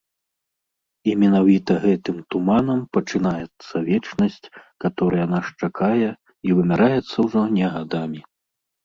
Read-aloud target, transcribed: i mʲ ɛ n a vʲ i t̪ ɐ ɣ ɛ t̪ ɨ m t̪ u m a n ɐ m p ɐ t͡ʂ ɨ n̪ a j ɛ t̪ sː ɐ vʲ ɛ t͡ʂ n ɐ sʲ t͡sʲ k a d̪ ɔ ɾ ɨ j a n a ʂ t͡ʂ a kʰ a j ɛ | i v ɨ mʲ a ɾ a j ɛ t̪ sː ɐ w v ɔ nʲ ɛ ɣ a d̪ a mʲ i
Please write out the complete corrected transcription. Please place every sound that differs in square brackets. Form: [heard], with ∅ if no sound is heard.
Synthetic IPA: i mʲ ɛ n a vʲ i t̪ ɐ ɣ ɛ t̪ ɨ m t̪ u m a n ɐ m p ɐ t͡ʂ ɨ n̪ a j ɛ t̪ sː ɐ vʲ ɛ t͡ʂ n ɐ sʲ t͡sʲ k a [t̪] ɔ ɾ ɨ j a n a ʂ t͡ʂ a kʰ a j ɛ | i v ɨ mʲ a ɾ a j ɛ t̪ sː ɐ w [ʐ] ɔ nʲ ɛ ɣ a d̪ a mʲ i

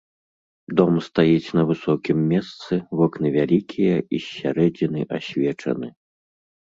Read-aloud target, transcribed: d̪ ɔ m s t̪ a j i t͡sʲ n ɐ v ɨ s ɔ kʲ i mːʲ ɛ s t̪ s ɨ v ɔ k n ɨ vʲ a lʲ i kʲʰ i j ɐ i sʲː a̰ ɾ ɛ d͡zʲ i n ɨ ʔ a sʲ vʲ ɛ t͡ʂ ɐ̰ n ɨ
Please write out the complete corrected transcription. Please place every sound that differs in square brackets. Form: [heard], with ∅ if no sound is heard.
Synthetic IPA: d̪ ɔ m s t̪ a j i t͡sʲ n ɐ v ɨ s ɔ kʲ i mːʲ ɛ s t̪ s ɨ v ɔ k n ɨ vʲ a lʲ i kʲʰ i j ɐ i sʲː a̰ ɾ ɛ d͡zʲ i n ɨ ʔ a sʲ vʲ ɛ t͡ʂ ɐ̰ n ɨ

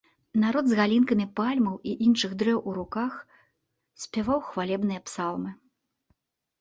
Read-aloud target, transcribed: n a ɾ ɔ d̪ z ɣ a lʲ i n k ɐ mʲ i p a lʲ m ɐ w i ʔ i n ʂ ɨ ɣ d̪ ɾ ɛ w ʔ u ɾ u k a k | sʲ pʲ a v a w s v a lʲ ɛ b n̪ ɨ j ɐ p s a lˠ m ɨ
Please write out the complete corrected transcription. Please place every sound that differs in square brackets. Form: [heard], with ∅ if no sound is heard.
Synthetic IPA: n a ɾ ɔ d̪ z ɣ a lʲ i n k ɐ mʲ i p a lʲ m ɐ w i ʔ i n ʂ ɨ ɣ d̪ ɾ ɛ w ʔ u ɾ u k a [x] | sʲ pʲ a v a w [x] v a lʲ ɛ b n̪ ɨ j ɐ p s a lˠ m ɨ

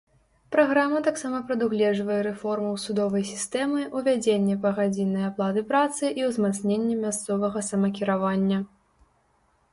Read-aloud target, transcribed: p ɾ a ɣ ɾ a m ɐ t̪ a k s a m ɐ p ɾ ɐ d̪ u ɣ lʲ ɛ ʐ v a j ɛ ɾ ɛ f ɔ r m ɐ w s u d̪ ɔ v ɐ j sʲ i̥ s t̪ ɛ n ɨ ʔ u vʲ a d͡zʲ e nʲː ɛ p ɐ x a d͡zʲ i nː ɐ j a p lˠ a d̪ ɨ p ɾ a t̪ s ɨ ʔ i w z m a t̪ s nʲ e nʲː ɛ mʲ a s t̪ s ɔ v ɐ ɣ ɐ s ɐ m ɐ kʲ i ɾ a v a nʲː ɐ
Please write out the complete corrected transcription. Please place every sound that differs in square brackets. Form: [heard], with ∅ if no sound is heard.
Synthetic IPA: p ɾ a ɣ ɾ a m ɐ t̪ a k s a m ɐ p ɾ ɐ d̪ u ɣ lʲ ɛ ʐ v [ɐ] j ɛ ɾ ɛ f ɔ r m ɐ w s u d̪ ɔ v ɐ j sʲ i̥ s t̪ ɛ [m] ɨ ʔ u vʲ a d͡zʲ e nʲː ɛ p ɐ [ɣ] a d͡zʲ i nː ɐ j a p lˠ a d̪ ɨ p ɾ a t̪ s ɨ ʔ i w z m a t̪ s nʲ e nʲː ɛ mʲ a s t̪ s ɔ v ɐ ɣ ɐ s ɐ m ɐ kʲ i ɾ a v a nʲː ɐ

